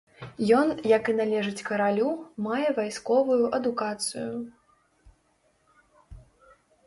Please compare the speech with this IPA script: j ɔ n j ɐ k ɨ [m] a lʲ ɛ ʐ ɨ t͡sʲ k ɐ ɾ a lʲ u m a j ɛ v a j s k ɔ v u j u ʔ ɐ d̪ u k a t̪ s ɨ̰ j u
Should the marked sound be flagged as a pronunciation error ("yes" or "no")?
yes